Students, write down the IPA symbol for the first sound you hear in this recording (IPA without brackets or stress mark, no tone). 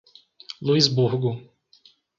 l